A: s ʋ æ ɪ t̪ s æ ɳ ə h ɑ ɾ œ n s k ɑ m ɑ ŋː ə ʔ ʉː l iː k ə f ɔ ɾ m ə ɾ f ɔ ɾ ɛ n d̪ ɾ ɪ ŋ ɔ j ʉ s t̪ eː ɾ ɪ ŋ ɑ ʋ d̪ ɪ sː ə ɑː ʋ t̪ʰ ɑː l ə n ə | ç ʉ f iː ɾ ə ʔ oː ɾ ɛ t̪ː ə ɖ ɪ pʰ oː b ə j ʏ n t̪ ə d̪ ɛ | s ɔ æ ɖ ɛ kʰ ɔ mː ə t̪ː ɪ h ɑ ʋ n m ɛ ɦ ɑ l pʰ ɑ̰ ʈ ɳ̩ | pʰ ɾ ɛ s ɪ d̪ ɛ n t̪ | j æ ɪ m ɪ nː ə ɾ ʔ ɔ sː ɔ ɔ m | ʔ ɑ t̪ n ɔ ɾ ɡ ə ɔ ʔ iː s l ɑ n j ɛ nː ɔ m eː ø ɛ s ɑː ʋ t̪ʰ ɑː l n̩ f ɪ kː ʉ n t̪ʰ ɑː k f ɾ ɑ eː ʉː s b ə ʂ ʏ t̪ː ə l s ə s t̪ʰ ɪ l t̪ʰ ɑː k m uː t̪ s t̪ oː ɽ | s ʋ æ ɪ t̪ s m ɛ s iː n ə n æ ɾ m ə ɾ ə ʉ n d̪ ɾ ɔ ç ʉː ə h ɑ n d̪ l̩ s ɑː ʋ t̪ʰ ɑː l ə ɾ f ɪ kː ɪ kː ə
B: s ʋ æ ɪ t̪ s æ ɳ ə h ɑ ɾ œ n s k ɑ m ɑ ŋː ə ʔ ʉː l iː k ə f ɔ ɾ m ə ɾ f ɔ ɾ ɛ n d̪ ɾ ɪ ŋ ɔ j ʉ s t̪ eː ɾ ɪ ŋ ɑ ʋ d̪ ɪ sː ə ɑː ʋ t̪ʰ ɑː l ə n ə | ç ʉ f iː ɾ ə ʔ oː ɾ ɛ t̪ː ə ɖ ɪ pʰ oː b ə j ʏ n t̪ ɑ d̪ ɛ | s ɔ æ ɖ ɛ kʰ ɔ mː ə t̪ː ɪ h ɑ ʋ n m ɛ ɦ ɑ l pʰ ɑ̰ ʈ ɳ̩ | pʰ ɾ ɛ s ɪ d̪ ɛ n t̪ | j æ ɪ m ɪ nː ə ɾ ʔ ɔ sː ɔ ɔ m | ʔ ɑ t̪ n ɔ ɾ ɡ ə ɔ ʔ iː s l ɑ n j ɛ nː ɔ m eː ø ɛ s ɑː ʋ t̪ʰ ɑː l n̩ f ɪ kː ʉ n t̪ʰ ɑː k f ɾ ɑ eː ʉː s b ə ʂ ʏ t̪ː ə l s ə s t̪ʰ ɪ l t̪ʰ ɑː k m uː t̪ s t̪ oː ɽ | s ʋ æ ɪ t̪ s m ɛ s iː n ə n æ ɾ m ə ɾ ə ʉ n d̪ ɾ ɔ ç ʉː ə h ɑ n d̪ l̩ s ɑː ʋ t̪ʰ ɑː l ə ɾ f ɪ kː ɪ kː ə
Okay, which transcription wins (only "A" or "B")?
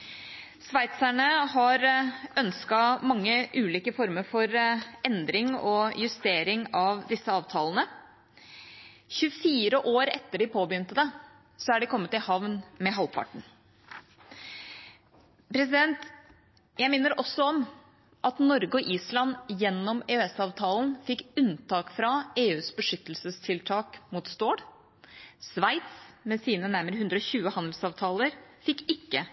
A